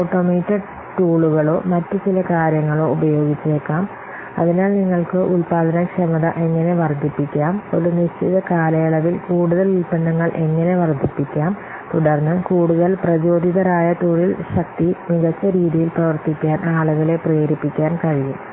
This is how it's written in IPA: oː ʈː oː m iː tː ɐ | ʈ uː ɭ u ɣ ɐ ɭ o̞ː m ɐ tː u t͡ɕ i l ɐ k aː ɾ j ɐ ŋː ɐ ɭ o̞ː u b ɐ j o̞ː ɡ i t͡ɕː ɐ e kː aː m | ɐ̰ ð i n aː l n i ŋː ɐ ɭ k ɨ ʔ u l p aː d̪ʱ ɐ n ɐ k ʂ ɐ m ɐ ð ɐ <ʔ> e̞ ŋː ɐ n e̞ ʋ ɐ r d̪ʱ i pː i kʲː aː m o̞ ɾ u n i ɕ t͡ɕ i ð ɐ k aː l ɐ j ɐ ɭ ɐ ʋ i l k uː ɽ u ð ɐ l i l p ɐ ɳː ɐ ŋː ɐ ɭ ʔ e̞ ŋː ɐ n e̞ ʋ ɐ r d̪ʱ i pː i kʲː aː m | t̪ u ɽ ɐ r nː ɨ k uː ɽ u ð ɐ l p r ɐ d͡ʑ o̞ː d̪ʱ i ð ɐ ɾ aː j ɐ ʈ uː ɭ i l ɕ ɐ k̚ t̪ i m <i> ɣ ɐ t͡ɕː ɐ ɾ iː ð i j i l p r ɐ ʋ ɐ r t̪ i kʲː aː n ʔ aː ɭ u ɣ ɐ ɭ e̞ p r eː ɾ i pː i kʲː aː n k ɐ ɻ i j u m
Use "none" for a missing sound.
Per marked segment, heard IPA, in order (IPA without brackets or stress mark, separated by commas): ʔ, i